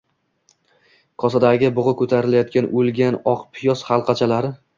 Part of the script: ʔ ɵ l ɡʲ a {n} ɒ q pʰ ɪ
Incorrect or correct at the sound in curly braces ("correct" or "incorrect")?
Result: correct